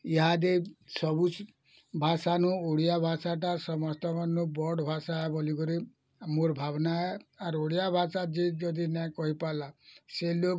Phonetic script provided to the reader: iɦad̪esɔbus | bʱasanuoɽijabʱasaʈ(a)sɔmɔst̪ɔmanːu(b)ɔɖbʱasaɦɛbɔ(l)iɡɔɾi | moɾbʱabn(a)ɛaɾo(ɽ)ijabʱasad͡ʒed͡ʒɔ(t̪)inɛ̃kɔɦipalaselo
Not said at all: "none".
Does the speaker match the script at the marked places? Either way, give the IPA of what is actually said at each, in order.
a, b, l, a, ɽ, d̪

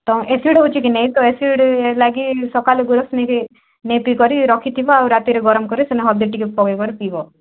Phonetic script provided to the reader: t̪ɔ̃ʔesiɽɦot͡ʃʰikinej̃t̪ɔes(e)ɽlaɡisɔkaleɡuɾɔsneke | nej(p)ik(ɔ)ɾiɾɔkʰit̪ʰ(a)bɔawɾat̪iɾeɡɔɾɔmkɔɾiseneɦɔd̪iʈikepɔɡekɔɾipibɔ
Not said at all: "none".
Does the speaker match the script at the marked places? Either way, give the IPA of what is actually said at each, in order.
i, p, ɔ, i

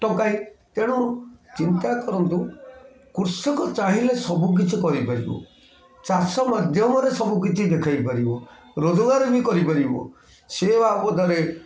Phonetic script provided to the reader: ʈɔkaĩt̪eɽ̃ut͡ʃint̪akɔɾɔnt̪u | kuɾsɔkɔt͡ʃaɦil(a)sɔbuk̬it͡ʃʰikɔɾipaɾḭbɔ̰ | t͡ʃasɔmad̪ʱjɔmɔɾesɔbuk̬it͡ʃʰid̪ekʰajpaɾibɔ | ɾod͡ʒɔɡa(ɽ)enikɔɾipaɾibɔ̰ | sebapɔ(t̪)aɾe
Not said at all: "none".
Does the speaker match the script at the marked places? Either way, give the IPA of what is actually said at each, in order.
e, ɾ, d̪

